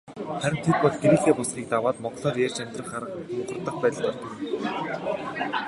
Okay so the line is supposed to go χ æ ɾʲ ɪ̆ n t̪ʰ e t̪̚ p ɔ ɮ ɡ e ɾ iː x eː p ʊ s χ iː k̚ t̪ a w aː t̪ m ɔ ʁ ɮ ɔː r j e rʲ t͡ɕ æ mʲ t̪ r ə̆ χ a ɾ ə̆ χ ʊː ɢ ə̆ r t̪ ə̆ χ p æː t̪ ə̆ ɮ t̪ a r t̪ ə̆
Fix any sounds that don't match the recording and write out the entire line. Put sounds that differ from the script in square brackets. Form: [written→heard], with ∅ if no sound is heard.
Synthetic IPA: χ æ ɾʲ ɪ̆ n t̪ʰ e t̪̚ p ɔ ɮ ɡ e ɾ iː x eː p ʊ s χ iː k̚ t̪ a w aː t̪ m ɔ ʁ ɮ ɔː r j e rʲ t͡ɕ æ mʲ t̪ r ə̆ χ a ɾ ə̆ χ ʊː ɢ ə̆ r t̪ ə̆ χ p æː t̪ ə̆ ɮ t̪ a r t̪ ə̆